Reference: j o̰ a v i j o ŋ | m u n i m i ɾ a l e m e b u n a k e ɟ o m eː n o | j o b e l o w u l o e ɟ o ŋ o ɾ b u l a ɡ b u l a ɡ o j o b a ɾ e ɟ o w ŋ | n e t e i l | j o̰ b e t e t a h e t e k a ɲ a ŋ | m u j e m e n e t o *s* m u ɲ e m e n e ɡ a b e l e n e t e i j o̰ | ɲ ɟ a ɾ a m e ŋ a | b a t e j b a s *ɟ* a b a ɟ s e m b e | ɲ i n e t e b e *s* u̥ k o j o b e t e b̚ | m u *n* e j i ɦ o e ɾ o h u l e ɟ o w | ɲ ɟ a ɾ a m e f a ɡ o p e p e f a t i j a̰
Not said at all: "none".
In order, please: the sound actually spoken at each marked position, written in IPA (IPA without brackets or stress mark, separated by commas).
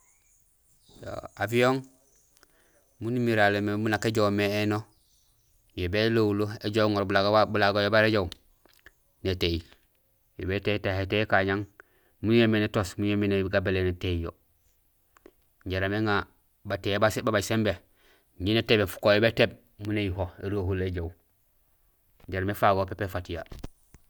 s, b, f, n